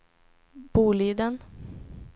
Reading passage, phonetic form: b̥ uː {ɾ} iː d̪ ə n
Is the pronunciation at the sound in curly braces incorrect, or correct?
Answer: incorrect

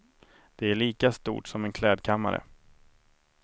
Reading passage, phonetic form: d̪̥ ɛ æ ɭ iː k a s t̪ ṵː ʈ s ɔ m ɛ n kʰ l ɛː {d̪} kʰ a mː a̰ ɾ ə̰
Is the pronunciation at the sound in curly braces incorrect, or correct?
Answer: correct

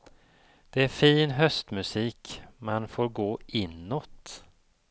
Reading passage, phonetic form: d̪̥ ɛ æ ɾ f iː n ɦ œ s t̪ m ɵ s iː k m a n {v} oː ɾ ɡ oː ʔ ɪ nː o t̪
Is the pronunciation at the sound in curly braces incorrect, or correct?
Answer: incorrect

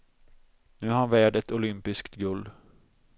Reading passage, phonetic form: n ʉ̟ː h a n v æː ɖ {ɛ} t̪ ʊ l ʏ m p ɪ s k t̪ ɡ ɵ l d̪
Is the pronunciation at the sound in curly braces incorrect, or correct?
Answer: correct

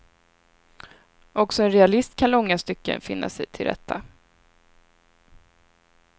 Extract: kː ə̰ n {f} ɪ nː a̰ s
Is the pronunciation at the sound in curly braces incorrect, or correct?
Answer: correct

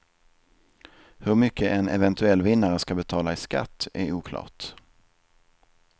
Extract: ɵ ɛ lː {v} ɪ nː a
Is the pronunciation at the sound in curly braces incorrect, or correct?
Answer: correct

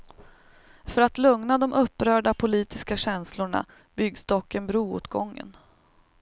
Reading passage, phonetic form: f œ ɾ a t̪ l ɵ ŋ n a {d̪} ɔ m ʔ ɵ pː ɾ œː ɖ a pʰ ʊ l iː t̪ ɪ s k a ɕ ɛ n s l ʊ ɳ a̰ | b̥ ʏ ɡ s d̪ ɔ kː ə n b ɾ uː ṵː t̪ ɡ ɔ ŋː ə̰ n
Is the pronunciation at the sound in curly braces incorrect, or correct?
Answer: correct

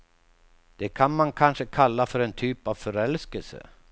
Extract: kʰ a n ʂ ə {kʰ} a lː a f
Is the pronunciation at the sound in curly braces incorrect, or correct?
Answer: correct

